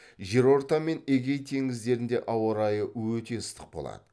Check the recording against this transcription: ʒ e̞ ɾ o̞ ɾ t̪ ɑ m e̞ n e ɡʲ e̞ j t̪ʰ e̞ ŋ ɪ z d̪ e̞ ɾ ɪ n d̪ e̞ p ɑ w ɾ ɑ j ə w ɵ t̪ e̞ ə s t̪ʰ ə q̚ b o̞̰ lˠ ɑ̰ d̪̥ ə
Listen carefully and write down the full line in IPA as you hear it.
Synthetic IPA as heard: ʒ e̞ ɾ o̞ ɾ t̪ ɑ m e̞ n e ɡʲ e̞ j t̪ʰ e̞ ŋ ɪ z d̪ e̞ ɾ ɪ n d̪ e̞ ʔ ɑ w ɾ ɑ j ə w ɵ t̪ e̞ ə s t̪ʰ ə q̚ b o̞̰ lˠ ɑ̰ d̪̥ ə